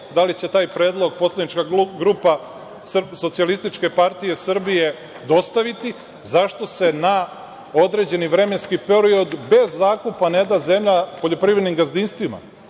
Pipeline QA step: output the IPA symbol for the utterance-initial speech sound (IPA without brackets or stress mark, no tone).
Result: d̪